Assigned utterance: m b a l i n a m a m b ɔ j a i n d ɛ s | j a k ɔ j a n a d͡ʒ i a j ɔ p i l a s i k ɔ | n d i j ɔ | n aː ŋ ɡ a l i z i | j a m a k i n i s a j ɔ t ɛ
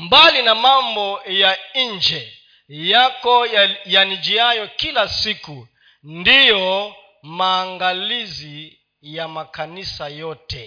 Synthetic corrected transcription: m b a l i n a m a m b ɔ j a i n d͡ʒ ɛ | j a k ɔ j a n i d͡ʒ i a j ɔ k i l a s i k u | n d i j ɔ | m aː ŋ ɡ a l i z i | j a m a k a n i s a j ɔ t ɛ